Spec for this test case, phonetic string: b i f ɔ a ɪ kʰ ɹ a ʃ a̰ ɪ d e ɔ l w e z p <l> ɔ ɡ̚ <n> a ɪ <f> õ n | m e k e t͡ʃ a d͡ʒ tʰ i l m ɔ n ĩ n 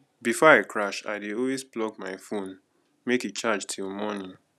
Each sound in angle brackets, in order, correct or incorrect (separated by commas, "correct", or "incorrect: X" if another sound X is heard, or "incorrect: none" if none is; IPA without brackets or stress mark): correct, incorrect: m, correct